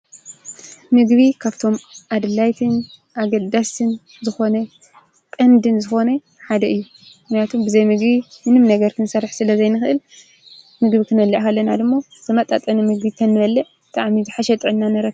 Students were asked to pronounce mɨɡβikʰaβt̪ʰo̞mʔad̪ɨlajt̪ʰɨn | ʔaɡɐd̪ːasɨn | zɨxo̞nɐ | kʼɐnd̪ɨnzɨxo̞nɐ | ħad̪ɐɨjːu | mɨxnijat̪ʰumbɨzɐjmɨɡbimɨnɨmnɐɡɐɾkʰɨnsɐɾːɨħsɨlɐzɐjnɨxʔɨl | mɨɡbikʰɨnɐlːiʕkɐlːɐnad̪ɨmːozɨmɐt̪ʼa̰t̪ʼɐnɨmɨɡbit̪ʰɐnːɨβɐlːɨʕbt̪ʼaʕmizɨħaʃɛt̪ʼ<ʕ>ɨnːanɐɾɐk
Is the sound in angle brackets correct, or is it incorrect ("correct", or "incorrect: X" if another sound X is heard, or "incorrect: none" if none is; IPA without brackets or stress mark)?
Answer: correct